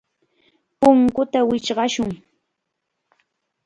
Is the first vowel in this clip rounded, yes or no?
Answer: yes